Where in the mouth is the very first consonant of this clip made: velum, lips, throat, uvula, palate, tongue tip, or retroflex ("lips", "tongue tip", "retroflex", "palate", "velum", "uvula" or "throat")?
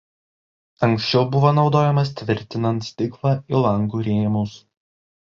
velum